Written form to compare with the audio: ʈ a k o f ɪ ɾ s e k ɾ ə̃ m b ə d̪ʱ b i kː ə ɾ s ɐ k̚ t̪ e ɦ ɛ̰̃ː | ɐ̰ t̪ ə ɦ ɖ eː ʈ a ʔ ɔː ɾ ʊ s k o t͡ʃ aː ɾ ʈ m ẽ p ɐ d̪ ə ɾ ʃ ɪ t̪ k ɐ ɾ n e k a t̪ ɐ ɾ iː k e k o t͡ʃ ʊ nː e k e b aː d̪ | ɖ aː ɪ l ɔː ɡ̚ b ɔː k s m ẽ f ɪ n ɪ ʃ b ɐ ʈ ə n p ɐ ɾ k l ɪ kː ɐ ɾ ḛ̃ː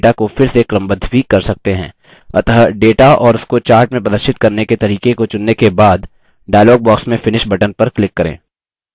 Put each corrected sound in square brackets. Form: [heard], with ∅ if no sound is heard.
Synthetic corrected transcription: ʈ a k o f ɪ ɾ s e k ɾ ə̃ m b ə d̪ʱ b i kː [ɐ] ɾ s ɐ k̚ t̪ e ɦ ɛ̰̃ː | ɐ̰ t̪ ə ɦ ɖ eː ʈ a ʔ ɔː ɾ ʊ s k o t͡ʃ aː ɾ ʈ m ẽ p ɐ d̪ ə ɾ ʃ ɪ t̪ k ɐ ɾ n e k [e] t̪ ɐ ɾ iː k e k o t͡ʃ ʊ nː e k e b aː d̪ | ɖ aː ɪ l ɔː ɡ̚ b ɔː k s m ẽ f ɪ n ɪ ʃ b ɐ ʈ ə n p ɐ ɾ k l ɪ kː ɐ ɾ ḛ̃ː